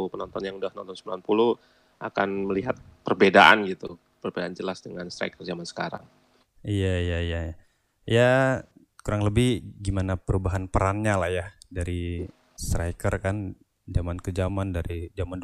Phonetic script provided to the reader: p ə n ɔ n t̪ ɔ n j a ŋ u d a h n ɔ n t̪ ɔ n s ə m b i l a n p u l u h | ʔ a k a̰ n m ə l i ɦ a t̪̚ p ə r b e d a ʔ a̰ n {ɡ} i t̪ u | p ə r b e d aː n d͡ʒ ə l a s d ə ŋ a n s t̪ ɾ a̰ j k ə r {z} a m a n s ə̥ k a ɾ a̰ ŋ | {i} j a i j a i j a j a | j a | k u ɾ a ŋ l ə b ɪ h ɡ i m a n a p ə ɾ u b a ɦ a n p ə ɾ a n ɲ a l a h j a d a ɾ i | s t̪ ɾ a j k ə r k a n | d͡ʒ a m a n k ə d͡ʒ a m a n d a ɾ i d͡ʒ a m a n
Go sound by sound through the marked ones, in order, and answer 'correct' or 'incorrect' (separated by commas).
correct, correct, correct